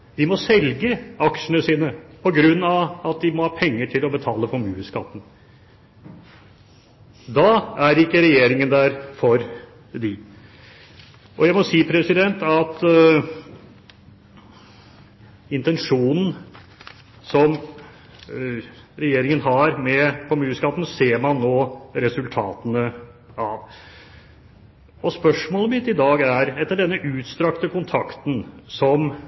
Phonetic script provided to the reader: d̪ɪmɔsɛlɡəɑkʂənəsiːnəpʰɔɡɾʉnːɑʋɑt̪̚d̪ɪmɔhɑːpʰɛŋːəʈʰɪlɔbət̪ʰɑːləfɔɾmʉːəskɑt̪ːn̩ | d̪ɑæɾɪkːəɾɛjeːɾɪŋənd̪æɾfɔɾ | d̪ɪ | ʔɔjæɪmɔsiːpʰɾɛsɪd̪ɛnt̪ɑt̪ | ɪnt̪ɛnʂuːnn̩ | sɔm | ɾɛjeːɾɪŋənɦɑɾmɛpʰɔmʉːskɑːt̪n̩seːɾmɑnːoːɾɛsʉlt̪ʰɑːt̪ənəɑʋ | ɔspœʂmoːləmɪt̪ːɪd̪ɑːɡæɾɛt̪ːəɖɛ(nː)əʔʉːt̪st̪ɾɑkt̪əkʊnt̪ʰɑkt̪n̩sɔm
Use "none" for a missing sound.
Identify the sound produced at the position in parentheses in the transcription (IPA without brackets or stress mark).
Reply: nː